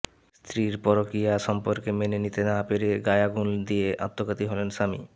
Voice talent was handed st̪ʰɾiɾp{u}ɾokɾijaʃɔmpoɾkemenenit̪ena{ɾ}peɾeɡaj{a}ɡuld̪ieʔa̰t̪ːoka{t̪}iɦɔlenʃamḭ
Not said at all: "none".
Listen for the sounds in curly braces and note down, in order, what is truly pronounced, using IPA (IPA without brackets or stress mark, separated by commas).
ɔ, none, a, t̪